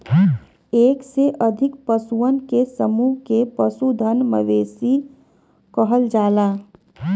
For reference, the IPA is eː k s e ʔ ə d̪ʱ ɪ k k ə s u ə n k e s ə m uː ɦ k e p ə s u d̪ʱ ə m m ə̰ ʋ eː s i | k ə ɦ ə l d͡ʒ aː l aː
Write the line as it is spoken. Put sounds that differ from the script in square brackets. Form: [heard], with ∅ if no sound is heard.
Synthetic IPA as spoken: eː k s e ʔ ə d̪ʱ ɪ k [p] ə s u ə n k e s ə m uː ɦ k e p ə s u d̪ʱ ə [n] m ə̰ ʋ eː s i | k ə ɦ ə l d͡ʒ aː l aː